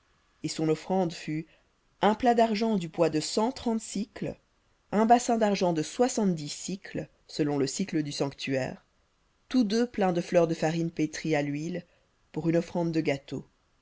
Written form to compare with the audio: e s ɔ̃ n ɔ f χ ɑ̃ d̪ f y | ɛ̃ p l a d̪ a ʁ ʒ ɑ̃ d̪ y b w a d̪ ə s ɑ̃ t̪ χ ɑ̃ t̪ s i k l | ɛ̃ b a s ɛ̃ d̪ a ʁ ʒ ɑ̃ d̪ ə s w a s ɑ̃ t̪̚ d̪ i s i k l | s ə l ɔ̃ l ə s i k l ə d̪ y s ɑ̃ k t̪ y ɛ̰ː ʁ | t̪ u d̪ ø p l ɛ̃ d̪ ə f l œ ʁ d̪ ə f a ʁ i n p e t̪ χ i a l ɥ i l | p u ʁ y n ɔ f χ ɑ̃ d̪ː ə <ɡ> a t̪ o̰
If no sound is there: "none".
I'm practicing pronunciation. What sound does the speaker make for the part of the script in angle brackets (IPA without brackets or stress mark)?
ɡ